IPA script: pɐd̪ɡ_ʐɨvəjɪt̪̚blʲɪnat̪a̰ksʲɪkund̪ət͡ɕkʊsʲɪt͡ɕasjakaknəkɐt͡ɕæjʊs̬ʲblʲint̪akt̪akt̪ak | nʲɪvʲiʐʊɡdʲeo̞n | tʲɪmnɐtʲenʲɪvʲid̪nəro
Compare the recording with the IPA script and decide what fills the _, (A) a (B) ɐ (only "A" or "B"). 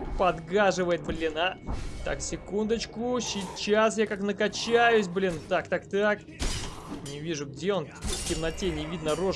A